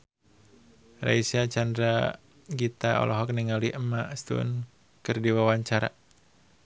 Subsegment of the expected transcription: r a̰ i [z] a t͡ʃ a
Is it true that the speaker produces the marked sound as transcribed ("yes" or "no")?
no